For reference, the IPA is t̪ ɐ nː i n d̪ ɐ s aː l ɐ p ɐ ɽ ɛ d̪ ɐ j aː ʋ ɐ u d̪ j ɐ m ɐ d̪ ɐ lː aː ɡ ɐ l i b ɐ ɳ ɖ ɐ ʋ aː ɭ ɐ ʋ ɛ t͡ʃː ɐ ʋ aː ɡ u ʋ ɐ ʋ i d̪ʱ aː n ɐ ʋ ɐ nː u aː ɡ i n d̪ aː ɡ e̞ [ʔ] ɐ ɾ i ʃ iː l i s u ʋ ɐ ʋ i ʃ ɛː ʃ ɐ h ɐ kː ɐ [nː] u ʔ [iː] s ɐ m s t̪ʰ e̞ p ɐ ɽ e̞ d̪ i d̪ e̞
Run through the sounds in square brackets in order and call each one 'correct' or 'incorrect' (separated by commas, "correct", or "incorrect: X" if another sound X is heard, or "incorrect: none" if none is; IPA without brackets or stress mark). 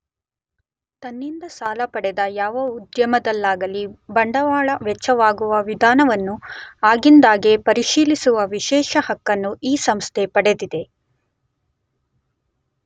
incorrect: p, correct, correct